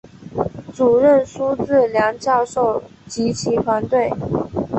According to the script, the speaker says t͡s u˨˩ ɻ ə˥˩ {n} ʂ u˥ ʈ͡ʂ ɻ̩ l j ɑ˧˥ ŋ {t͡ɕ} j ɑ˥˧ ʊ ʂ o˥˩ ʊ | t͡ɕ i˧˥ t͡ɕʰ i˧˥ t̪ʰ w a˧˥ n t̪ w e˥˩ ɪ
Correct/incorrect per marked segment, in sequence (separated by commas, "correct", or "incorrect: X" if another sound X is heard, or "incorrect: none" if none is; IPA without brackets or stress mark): correct, correct